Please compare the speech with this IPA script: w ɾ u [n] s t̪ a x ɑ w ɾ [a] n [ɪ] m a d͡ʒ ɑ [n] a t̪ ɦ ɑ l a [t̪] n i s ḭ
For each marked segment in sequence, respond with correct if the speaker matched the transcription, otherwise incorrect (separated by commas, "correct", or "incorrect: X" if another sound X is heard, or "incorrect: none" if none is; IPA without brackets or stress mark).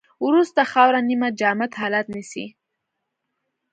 incorrect: none, correct, incorrect: i, incorrect: m, correct